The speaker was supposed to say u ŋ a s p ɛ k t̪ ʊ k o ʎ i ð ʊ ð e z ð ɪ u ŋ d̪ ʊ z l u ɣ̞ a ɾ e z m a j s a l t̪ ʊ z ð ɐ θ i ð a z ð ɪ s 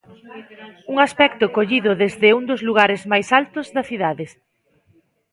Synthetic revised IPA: u ŋ a s p ɛ k t̪ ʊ k o ʎ i ð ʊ ð e z ð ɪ u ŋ d̪ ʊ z l u ɣ̞ a ɾ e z m a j s a l t̪ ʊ z ð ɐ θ i ð a ð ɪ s